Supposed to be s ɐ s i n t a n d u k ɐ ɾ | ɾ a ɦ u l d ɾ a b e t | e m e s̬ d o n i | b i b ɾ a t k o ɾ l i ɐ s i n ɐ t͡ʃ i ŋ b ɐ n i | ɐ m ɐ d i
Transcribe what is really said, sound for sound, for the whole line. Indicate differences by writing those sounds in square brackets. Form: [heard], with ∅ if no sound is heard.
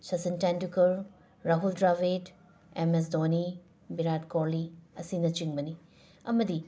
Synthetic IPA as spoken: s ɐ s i n t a n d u k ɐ ɾ | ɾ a ɦ u l d ɾ a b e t | e m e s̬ d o n i | b i [∅] ɾ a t k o ɾ l i ɐ s i n ɐ t͡ʃ i ŋ b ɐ n i | ɐ m ɐ d i